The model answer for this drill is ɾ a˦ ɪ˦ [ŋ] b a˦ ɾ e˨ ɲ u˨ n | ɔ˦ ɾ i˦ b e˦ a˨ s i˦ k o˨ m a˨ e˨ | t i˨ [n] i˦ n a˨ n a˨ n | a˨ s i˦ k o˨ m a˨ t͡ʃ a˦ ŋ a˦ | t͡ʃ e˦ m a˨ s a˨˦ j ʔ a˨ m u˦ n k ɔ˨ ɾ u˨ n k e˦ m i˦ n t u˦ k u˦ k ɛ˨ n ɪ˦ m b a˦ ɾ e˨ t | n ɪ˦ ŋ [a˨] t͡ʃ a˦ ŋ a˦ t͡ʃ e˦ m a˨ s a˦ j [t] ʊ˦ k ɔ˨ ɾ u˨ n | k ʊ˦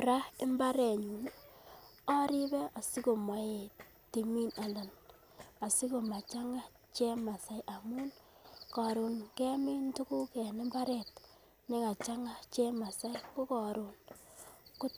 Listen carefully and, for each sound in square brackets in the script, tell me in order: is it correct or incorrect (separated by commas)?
incorrect, incorrect, correct, incorrect